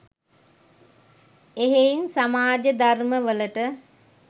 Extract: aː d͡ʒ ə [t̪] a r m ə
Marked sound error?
yes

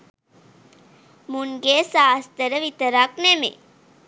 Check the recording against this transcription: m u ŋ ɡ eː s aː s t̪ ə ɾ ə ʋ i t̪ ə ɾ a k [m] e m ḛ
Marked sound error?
yes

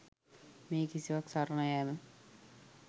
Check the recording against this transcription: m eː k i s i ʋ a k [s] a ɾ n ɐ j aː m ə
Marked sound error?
no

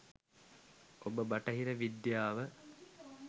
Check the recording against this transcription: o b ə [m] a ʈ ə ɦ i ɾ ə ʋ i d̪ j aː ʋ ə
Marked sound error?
yes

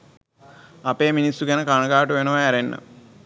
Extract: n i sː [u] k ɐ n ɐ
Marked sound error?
no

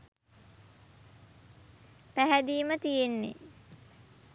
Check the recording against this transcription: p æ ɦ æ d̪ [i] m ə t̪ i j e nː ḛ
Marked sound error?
yes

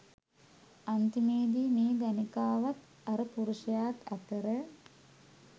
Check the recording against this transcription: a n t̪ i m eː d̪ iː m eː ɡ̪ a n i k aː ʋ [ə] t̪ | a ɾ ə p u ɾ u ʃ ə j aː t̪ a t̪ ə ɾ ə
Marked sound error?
yes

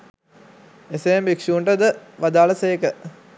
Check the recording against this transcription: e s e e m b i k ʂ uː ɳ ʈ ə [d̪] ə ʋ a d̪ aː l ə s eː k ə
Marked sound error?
no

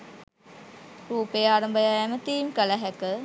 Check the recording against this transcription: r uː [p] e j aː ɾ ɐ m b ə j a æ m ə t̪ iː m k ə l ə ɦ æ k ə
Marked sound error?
no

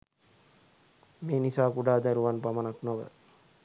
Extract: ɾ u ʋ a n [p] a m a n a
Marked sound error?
no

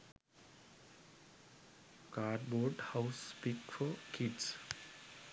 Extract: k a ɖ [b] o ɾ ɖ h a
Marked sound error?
no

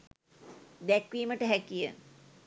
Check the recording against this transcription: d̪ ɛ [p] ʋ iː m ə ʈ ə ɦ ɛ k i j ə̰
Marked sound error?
yes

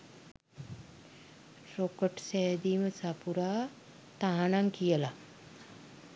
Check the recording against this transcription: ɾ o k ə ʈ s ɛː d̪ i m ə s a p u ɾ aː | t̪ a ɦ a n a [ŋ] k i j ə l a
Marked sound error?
no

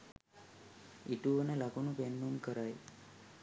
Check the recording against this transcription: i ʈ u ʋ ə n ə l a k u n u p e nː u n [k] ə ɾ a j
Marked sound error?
no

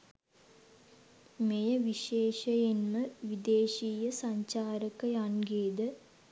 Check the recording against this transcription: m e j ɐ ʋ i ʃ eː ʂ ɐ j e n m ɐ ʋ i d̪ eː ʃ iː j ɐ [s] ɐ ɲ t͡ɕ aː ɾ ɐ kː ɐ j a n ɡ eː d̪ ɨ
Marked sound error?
no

